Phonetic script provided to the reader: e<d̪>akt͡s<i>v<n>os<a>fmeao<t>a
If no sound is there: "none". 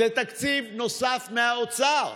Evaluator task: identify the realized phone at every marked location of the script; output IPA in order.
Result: t̪, i, n, a, t͡s

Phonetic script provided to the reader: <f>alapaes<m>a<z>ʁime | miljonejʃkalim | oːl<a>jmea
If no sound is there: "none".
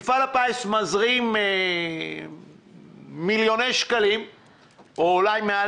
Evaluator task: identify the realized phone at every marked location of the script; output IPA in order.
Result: f, m, z, a

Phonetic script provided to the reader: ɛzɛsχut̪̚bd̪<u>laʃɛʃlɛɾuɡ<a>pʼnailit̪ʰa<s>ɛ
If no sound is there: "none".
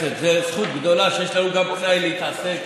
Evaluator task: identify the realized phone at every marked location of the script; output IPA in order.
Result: ɔ, a, s

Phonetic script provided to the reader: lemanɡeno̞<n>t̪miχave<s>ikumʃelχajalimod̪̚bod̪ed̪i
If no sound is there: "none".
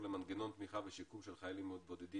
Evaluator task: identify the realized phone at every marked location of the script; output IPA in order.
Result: n, ʃ

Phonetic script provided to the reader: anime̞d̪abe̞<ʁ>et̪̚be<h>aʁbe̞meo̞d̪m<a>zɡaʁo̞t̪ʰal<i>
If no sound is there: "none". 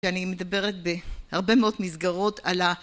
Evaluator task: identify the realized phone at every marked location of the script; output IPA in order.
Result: ʁ, h, i, a

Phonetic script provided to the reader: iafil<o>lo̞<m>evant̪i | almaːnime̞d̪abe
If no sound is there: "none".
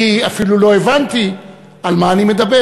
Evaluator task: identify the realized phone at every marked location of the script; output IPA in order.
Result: u, none

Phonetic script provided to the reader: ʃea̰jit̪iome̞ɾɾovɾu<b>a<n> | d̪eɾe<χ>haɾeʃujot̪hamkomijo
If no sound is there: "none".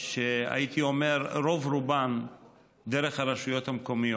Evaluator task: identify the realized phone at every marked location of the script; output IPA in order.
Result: b, n, χ

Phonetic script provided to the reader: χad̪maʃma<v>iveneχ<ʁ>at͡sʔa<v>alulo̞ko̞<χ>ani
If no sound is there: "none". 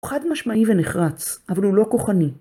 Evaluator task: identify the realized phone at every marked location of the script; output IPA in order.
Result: none, ʁ, v, χ

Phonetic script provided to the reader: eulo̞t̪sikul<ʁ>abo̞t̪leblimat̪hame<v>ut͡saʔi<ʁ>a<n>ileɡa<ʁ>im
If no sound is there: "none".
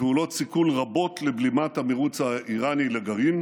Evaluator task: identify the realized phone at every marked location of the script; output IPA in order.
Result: ʁ, ʁ, ʁ, n, ʁ

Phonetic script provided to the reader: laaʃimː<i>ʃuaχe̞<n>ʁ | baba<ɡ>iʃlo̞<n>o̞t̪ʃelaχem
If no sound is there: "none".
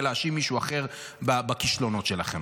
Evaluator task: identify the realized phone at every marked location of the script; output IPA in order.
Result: i, none, k, n

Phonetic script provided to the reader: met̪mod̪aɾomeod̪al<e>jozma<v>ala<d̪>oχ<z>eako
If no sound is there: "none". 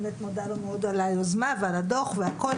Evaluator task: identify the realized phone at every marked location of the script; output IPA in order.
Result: a, v, d̪, v

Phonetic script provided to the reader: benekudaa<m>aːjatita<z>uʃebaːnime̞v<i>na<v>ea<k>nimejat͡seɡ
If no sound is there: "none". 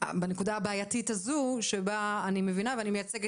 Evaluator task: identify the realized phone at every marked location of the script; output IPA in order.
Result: b, z, i, v, none

